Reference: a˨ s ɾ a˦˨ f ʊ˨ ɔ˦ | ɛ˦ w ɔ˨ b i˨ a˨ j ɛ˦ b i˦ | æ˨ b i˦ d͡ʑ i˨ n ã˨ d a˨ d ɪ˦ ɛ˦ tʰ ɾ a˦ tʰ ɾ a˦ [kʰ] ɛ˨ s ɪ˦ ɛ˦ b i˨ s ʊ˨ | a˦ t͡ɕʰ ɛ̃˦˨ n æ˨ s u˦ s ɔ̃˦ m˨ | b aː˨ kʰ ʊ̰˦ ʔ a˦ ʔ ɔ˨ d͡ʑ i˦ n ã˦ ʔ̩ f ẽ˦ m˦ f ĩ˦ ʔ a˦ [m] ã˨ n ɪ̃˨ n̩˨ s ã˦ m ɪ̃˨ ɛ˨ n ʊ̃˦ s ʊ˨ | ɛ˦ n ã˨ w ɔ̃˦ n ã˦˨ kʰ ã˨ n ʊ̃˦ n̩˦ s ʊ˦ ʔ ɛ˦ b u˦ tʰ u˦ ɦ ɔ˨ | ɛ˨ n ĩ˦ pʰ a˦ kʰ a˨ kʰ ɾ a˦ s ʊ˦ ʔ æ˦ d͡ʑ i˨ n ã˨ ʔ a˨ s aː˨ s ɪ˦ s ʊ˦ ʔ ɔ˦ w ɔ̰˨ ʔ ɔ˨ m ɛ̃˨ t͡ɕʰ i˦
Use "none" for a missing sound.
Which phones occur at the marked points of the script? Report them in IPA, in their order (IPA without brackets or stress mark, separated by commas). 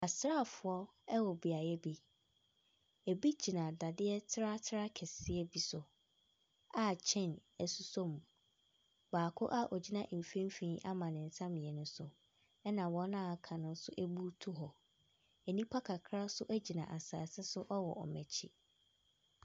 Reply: kʰ, m